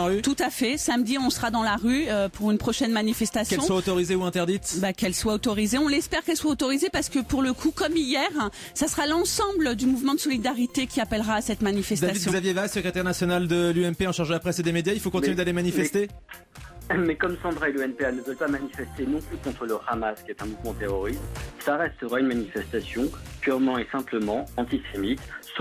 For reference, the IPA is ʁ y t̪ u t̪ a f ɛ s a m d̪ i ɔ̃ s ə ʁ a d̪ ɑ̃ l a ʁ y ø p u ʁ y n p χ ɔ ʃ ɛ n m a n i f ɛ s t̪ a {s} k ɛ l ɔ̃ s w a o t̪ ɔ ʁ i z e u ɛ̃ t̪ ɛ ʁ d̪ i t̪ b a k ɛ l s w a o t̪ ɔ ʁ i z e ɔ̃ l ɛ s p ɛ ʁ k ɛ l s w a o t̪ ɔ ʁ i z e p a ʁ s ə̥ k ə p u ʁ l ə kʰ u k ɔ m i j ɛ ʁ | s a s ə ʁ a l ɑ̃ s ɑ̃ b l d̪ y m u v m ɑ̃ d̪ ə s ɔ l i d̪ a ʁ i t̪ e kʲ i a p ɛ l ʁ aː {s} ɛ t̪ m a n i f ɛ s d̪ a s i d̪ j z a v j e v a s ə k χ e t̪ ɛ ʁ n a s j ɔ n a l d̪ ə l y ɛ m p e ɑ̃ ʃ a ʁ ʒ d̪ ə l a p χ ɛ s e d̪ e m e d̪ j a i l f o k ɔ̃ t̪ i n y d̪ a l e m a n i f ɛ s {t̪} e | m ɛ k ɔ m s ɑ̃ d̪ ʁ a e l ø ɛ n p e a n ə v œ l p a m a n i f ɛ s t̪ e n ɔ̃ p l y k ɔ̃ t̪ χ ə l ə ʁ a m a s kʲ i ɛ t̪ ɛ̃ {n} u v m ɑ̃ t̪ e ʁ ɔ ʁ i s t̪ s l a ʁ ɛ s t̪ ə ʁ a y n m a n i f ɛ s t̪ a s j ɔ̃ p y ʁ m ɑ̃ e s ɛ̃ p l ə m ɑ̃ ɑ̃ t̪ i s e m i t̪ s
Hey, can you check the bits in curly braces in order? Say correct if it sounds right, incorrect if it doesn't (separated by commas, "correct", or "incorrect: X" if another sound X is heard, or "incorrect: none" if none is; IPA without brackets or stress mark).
correct, correct, correct, incorrect: m